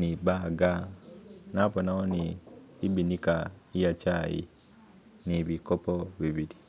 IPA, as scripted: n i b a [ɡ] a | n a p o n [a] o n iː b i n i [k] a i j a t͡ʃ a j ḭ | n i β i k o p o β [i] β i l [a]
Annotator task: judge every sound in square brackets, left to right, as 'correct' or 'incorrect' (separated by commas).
correct, correct, correct, correct, incorrect